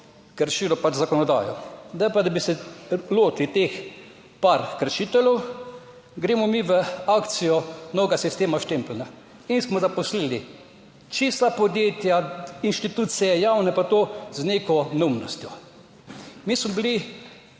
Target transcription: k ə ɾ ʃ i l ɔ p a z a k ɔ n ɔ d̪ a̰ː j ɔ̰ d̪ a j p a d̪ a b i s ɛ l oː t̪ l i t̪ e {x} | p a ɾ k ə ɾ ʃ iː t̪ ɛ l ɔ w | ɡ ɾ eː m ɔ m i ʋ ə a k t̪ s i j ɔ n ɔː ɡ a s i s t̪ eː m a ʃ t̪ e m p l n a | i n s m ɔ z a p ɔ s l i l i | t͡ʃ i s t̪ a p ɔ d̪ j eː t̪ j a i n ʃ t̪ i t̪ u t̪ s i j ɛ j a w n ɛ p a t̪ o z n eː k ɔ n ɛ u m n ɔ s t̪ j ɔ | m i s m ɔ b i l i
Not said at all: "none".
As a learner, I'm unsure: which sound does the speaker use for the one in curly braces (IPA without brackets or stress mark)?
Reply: x